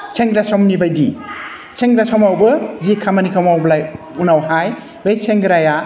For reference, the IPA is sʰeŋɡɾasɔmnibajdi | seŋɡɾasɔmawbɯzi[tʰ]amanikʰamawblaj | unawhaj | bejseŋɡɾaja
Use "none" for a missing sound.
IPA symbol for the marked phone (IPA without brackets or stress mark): kʰ